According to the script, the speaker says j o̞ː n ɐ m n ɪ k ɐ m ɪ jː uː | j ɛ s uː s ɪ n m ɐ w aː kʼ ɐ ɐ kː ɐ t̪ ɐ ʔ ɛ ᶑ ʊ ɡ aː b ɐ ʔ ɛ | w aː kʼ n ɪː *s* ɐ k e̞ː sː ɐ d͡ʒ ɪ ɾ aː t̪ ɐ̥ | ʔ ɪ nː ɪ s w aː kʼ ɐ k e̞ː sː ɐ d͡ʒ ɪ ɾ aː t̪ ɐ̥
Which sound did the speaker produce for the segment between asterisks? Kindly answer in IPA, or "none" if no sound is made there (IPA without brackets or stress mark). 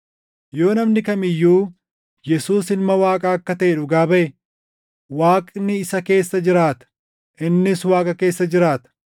s